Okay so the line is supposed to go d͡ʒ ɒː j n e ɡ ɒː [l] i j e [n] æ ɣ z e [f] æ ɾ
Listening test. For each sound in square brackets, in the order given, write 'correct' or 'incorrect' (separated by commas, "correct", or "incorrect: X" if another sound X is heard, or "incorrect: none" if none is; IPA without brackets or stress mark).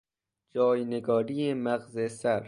incorrect: ɾ, incorrect: m, incorrect: s